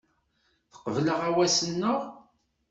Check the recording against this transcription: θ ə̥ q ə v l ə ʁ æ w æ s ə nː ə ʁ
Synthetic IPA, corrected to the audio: θ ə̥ q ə v l ə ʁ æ w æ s ə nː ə ʁ